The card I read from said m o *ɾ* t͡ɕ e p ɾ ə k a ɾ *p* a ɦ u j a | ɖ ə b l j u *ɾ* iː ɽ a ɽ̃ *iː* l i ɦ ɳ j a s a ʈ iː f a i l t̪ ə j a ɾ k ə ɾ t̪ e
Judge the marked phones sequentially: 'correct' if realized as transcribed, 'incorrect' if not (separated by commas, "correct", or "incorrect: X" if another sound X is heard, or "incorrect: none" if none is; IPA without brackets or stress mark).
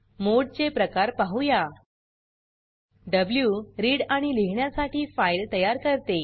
incorrect: ɽ, correct, correct, incorrect: i